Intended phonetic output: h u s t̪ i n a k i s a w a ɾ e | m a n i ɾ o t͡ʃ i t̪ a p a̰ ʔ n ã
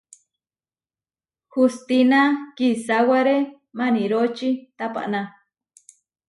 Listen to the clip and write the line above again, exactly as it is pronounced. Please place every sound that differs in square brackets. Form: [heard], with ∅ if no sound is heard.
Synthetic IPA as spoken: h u s t̪ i n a k i s a w a ɾ e | m a n i ɾ o t͡ʃ i t̪ a p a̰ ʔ n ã